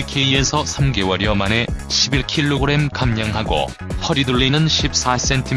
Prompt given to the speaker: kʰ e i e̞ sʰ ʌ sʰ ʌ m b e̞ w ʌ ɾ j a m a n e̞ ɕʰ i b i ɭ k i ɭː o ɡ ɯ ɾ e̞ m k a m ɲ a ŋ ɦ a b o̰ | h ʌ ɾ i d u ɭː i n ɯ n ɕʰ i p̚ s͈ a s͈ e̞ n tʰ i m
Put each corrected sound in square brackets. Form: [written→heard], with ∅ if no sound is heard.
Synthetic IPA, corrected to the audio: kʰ e i e̞ sʰ ʌ sʰ [ʌ→a] m [b→ɡ] e̞ w ʌ ɾ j [a→ʌ] m a n e̞ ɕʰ i b i ɭ [k→kʰ] i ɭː o ɡ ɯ ɾ e̞ m k a m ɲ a ŋ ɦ a [b→ɡ] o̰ | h ʌ ɾ i d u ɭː i n ɯ n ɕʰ i p̚ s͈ a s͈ e̞ n tʰ i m